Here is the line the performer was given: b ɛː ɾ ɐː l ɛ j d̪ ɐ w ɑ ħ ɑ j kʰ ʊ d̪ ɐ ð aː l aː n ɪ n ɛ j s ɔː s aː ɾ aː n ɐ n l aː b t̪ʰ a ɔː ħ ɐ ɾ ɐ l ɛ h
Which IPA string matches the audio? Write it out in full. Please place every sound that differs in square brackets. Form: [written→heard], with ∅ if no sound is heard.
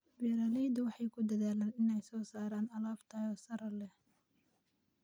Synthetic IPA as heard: b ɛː ɾ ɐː l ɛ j d̪ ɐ w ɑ ħ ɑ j kʰ ʊ d̪ ɐ ð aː l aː n ɪ n ɛ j s ɔː s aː ɾ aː n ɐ [n→∅] l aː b t̪ʰ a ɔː [ħ→s] ɐ ɾ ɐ l ɛ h